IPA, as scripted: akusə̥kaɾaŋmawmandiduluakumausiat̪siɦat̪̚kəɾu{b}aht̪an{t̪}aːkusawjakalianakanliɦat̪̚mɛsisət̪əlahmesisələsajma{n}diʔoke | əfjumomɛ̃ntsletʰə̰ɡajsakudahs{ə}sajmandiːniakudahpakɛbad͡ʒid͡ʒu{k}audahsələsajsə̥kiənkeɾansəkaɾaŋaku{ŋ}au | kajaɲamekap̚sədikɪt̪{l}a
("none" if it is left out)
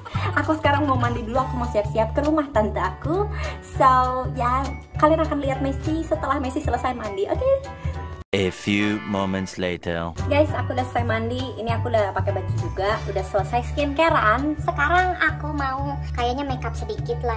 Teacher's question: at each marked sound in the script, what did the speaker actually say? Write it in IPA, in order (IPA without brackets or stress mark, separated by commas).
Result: m, t̪, n, ə, ɡ, m, l